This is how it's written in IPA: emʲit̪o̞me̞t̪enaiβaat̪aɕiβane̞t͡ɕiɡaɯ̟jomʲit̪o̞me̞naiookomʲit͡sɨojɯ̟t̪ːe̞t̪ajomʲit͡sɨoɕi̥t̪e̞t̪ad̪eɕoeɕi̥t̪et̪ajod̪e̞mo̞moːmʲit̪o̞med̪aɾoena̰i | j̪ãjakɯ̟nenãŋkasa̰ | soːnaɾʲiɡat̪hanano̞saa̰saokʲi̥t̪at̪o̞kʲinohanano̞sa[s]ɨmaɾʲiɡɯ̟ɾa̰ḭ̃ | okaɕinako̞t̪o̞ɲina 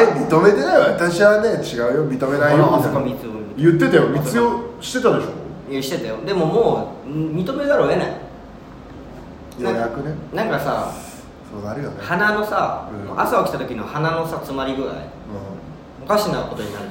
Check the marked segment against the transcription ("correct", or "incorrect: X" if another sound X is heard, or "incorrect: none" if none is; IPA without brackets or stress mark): incorrect: t͡s